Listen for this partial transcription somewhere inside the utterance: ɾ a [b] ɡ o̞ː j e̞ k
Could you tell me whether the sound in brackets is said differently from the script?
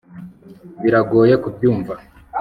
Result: yes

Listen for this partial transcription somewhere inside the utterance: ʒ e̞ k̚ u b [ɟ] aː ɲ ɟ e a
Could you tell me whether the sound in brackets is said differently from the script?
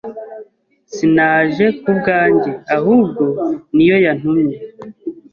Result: yes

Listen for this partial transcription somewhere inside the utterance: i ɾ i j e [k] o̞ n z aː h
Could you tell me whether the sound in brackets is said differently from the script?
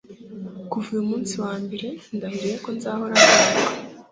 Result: no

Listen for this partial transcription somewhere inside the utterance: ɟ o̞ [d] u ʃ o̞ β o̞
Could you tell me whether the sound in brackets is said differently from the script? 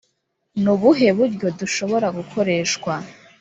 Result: no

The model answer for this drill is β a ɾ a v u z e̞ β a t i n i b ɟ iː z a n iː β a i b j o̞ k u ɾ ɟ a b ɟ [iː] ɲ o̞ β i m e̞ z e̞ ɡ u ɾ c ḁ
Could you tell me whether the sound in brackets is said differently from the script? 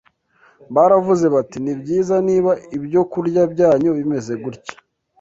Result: yes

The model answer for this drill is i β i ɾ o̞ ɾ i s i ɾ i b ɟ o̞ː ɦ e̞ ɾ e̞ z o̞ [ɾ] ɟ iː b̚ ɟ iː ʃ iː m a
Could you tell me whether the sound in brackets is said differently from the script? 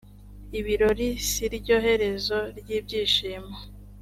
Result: no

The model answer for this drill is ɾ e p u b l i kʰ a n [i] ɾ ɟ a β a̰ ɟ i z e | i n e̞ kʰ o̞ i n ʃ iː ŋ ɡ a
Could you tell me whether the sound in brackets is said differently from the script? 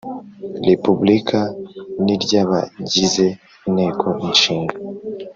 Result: no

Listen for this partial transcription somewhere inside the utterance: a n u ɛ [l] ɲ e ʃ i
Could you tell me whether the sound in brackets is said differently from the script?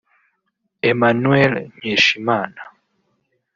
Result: no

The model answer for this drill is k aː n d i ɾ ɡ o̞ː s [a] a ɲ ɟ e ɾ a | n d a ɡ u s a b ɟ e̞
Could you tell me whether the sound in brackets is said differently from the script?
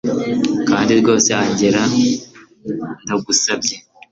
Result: yes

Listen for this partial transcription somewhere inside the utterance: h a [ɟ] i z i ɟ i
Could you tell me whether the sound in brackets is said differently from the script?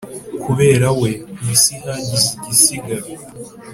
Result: no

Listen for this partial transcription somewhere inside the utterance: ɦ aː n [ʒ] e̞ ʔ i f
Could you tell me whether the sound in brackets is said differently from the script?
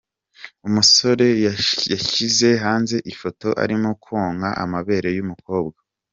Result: yes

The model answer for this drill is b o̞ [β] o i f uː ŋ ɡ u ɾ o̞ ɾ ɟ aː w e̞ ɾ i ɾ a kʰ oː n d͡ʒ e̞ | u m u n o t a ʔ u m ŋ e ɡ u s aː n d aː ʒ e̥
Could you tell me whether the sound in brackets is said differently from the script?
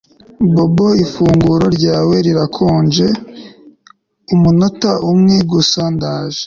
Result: yes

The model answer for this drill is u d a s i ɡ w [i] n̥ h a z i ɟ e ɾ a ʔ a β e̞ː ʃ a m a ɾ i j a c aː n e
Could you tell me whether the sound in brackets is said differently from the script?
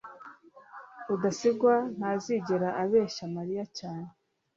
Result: yes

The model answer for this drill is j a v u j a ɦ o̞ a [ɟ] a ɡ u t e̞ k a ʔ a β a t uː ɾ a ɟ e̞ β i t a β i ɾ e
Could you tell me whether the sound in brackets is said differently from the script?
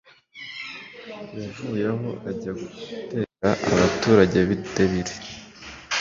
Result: no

